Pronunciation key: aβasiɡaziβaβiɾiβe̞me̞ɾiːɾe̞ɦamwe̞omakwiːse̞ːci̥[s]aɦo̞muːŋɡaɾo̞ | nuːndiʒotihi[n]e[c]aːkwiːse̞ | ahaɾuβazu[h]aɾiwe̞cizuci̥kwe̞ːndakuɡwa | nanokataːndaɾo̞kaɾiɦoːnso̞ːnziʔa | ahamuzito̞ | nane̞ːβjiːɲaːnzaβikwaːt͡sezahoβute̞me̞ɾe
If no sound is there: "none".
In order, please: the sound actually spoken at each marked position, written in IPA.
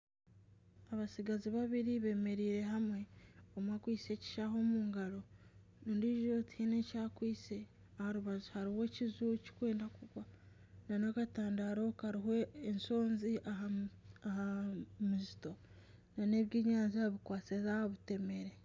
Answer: ʃ, n, c, h

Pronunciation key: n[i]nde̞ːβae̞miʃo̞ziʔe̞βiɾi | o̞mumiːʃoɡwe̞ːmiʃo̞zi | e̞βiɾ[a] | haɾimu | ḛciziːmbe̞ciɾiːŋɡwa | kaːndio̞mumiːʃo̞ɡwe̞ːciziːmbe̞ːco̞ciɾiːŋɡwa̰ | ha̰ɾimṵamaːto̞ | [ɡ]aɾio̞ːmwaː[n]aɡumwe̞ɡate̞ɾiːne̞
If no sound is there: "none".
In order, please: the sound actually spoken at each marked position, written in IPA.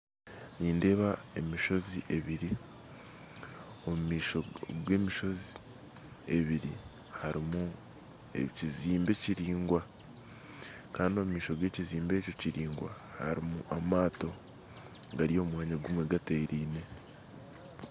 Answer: iː, i, ɡ, ɲ

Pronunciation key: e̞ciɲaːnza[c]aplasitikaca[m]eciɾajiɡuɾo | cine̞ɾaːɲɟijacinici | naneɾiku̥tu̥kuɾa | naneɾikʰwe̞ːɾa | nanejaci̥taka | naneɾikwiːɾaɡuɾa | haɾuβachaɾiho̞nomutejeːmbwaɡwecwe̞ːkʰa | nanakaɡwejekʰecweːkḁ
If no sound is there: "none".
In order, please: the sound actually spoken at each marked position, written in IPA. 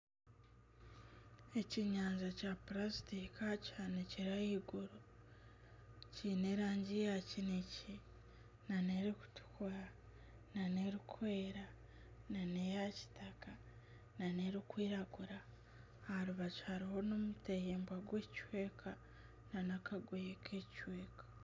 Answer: c, n

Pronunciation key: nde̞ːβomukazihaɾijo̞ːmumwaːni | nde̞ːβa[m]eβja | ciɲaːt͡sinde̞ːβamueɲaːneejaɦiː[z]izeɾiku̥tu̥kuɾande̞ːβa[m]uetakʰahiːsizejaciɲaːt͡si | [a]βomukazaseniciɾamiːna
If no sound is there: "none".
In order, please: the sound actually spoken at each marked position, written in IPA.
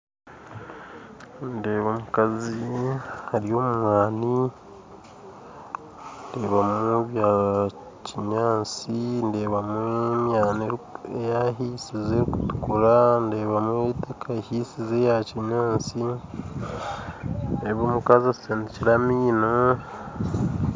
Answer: m, s, m, e

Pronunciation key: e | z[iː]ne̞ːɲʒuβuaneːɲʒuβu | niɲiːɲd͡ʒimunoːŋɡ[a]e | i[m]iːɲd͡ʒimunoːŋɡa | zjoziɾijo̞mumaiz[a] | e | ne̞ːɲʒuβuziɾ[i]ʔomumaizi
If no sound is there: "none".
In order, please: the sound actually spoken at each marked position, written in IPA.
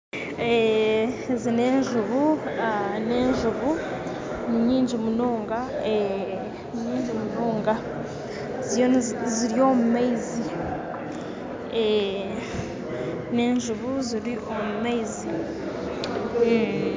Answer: i, a, ɲ, i, i

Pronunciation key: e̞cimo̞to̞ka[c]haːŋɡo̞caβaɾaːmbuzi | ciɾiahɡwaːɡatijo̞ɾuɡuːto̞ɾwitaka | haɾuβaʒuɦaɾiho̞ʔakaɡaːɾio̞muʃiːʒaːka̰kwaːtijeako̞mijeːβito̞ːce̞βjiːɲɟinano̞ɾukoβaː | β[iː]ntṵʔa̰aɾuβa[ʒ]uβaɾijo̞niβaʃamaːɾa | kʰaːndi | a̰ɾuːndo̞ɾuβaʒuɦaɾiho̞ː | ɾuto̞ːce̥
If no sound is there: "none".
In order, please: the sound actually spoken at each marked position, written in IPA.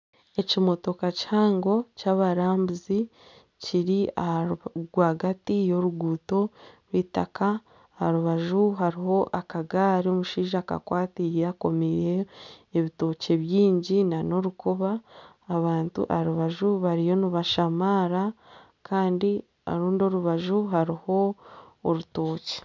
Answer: c, aː, ʒ

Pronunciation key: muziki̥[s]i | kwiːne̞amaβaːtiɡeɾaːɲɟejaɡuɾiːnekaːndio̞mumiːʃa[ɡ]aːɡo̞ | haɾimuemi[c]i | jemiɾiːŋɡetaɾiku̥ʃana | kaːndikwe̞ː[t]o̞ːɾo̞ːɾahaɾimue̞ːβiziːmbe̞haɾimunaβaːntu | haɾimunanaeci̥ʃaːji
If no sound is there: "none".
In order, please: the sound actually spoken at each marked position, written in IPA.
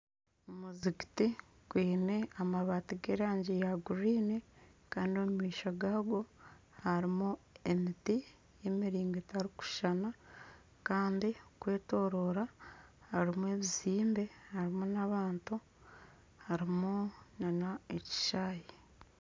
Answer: t, ɡ, t, t

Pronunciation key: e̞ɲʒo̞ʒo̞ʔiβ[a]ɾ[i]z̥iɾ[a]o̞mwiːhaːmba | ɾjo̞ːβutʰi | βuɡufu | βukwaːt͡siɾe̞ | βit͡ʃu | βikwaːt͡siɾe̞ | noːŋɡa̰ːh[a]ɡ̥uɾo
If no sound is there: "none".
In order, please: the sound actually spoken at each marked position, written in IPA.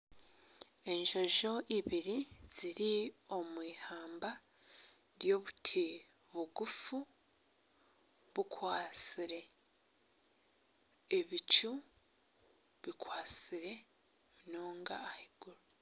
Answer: i, i, i, i

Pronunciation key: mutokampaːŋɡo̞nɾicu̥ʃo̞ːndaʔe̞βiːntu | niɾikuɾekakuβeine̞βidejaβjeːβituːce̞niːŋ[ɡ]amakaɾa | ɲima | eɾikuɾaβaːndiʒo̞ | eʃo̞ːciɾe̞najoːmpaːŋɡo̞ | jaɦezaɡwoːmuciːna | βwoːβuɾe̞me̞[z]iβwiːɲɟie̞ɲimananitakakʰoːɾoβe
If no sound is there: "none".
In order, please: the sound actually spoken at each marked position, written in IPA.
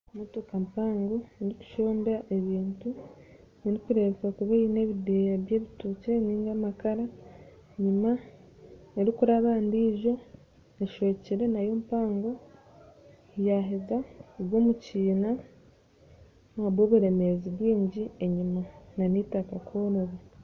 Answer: ɡ, z

